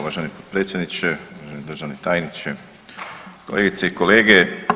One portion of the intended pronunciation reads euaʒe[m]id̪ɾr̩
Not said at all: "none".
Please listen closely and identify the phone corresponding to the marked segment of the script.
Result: n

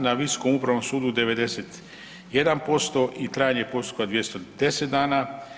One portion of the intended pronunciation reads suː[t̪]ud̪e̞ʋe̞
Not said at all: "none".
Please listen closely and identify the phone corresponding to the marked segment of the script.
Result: d̪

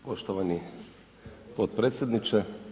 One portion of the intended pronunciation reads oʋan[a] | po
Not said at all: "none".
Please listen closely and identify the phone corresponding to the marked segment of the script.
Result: i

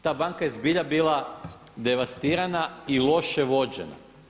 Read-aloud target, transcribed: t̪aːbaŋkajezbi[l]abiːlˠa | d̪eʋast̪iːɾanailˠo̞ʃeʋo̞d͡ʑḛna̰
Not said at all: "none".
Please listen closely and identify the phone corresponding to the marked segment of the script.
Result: ʎ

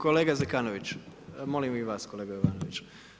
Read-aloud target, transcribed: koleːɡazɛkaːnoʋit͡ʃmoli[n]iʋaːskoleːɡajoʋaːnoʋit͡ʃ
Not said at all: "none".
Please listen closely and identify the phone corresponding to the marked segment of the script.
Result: m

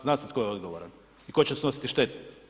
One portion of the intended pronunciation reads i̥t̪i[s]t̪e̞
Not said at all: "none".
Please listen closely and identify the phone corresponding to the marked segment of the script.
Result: ʃ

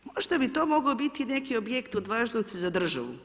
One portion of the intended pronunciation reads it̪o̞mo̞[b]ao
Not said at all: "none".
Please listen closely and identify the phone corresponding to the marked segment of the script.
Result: ɡ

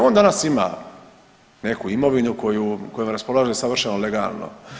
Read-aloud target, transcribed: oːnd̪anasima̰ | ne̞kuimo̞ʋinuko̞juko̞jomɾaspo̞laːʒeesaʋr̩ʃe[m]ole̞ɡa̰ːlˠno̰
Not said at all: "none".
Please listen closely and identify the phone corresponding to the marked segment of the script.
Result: n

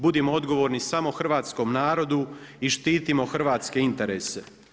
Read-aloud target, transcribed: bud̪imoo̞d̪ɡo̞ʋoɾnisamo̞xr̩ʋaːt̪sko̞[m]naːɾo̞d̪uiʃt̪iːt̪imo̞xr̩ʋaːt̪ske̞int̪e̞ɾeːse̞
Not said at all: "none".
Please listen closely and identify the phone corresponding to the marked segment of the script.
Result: m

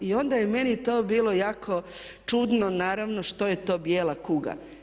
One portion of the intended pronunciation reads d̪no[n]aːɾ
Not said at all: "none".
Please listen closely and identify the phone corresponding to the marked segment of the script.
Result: n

